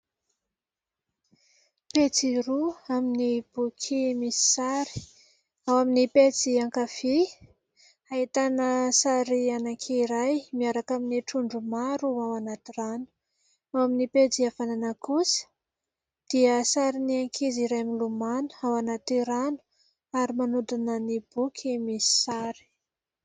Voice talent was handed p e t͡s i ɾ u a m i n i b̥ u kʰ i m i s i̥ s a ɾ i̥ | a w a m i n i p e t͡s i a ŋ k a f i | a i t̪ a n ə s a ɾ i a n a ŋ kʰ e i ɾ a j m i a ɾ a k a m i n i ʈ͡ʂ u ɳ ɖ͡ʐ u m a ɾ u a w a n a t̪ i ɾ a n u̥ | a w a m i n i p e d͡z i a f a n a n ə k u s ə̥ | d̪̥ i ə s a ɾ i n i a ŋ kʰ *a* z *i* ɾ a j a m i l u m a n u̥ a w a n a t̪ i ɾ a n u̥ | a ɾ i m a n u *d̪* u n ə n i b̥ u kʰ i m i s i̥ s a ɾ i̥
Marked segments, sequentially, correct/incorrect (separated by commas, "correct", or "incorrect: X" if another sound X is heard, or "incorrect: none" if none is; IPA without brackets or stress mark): incorrect: i, correct, correct